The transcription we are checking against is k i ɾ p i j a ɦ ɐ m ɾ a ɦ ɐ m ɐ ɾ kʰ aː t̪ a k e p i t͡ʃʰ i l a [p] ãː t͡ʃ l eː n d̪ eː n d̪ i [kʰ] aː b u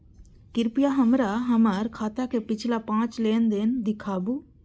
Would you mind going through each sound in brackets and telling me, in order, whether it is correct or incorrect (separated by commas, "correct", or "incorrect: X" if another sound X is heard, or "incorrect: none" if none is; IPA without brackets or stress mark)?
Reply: correct, correct